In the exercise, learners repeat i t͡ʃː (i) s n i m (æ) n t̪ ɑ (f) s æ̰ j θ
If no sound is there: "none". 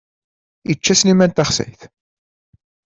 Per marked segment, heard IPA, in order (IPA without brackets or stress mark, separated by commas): æ, æ, χ